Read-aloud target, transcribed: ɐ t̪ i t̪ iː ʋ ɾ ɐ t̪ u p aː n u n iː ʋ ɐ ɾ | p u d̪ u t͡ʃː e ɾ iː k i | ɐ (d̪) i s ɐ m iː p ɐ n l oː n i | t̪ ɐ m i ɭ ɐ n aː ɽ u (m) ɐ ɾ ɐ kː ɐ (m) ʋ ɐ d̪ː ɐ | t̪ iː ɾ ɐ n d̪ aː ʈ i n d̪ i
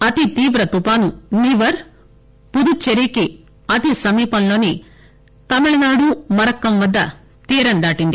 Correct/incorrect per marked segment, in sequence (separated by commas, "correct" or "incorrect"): incorrect, correct, correct